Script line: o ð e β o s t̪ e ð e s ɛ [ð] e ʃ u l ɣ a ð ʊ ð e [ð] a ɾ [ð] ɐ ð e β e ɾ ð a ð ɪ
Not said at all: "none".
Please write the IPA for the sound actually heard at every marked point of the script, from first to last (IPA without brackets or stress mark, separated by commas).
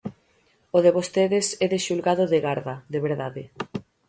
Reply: ð, ɣ, ð